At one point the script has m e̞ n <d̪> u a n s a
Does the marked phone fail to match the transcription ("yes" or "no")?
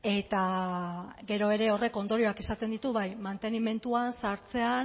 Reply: yes